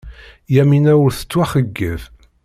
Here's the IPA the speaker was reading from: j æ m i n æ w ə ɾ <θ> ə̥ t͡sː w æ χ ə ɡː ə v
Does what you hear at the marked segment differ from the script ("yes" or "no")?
no